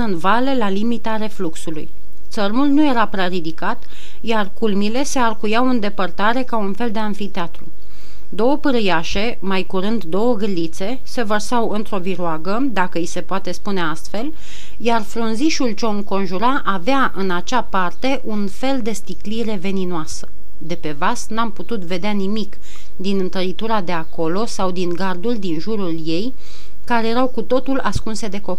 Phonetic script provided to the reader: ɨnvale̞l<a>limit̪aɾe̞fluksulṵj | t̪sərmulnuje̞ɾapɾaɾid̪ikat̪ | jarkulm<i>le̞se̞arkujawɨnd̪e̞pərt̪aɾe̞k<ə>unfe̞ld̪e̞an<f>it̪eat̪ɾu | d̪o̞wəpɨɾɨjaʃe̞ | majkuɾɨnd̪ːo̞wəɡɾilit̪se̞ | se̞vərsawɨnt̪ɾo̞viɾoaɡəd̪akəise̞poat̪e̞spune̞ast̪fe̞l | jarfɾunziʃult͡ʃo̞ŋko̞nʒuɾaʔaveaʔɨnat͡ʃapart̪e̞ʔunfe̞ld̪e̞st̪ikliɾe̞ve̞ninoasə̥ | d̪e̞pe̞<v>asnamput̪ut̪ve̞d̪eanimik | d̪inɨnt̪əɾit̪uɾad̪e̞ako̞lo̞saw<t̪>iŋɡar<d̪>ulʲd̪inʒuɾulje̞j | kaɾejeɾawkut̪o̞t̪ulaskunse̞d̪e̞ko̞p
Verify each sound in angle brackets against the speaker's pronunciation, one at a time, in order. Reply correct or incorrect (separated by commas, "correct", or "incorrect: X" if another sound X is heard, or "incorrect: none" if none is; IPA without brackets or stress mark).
correct, correct, incorrect: a, correct, correct, incorrect: d̪, correct